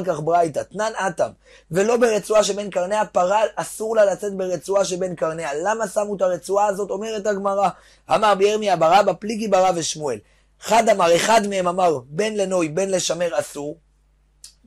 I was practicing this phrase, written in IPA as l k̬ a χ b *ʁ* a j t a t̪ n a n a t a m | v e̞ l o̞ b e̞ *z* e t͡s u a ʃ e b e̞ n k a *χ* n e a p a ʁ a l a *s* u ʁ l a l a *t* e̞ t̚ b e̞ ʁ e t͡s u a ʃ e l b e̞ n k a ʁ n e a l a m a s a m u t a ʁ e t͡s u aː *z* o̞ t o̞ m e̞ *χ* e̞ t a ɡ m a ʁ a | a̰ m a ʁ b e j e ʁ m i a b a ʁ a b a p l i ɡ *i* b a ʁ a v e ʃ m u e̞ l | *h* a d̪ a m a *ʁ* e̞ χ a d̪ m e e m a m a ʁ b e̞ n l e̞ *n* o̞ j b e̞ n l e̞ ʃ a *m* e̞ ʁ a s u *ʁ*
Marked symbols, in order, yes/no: yes, no, no, yes, no, yes, no, yes, no, yes, yes, yes, yes

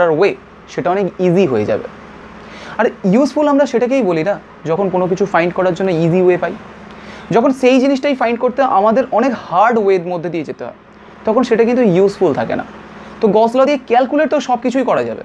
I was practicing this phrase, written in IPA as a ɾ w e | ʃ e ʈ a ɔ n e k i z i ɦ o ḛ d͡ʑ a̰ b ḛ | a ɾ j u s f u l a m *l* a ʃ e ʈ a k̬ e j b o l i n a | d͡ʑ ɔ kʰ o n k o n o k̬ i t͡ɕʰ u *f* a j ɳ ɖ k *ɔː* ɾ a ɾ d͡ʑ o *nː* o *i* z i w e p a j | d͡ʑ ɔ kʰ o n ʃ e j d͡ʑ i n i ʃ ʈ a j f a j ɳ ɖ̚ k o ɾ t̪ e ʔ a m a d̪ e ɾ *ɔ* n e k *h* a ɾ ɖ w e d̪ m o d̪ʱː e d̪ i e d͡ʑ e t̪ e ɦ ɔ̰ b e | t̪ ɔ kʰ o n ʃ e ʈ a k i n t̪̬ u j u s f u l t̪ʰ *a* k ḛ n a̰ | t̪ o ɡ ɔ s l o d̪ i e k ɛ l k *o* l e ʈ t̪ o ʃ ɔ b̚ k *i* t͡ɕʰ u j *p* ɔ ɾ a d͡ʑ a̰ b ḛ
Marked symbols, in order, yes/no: no, yes, no, yes, yes, yes, yes, yes, no, yes, no

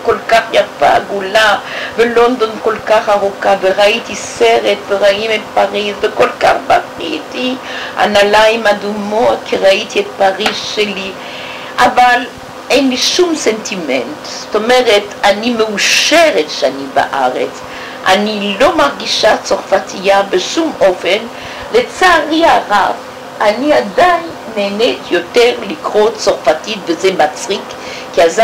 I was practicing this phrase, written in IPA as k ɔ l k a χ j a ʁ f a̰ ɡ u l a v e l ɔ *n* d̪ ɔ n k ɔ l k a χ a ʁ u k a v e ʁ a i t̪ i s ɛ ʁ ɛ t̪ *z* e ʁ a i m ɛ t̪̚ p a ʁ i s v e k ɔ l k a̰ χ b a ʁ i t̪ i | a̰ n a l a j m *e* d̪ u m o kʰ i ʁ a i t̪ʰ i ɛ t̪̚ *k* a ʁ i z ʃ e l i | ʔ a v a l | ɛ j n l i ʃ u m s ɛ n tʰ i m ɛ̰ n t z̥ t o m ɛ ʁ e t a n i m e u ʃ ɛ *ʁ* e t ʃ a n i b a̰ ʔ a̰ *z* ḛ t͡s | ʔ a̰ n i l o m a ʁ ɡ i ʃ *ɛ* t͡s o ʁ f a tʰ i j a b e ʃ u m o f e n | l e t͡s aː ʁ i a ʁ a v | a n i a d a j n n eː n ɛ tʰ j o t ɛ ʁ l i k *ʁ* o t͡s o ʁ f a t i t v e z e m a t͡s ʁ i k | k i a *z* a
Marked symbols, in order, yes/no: yes, no, no, no, yes, no, no, yes, yes

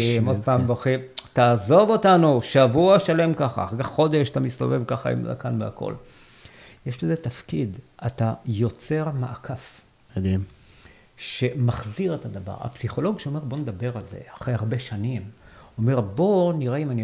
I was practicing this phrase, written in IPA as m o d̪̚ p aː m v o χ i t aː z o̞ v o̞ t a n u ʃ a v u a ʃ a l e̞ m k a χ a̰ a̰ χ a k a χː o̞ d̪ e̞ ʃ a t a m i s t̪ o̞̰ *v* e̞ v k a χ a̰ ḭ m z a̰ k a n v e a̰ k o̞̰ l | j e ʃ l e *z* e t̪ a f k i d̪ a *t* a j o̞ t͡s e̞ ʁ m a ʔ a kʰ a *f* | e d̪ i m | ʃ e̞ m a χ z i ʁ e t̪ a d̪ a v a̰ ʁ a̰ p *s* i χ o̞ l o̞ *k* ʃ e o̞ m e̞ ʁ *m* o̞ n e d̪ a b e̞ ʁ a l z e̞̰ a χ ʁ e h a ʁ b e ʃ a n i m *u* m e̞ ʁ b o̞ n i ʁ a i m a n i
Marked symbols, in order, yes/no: yes, yes, yes, yes, yes, no, no, no

